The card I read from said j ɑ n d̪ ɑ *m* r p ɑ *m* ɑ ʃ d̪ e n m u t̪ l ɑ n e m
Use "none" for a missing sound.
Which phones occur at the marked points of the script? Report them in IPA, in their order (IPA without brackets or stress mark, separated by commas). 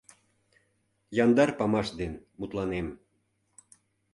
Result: none, m